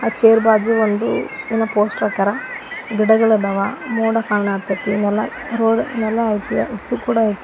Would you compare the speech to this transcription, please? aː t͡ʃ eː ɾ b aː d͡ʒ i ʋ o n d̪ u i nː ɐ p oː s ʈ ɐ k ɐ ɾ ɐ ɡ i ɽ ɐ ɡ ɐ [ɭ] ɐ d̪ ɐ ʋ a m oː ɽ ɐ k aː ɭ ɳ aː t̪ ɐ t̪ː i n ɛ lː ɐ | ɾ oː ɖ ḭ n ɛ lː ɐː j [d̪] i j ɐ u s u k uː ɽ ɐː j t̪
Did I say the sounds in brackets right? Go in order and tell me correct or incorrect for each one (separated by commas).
correct, incorrect